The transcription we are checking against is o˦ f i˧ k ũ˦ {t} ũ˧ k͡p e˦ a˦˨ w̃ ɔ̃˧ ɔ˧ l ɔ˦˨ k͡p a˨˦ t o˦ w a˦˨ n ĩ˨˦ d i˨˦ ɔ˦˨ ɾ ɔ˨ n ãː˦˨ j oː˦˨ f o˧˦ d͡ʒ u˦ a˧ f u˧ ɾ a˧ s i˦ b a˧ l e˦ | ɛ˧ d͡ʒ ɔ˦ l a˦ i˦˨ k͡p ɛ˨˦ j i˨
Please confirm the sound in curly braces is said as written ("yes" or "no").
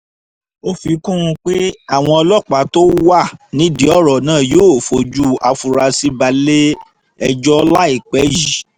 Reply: no